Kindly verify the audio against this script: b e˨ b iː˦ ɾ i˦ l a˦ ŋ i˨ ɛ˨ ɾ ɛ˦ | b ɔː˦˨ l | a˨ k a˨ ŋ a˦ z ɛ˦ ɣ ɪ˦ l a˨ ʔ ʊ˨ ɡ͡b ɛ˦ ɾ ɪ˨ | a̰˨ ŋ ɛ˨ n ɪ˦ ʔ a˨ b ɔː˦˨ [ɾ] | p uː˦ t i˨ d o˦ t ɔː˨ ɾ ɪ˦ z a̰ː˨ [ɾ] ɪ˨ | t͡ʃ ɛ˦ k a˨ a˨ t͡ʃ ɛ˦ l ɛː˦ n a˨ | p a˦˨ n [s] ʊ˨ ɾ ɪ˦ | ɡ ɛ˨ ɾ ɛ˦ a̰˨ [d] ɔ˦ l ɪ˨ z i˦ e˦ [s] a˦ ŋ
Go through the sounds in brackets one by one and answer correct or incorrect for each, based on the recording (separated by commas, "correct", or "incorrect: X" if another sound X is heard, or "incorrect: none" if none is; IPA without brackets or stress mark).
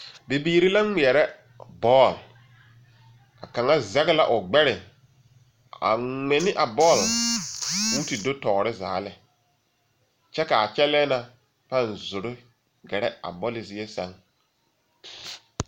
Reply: incorrect: l, incorrect: l, incorrect: z, incorrect: b, correct